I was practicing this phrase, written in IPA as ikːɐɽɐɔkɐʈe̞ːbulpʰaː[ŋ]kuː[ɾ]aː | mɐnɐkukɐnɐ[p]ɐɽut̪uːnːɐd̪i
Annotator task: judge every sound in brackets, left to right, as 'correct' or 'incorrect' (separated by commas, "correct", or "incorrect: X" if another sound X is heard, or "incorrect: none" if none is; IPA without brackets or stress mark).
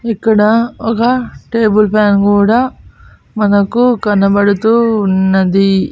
incorrect: n, incorrect: ɽ, incorrect: b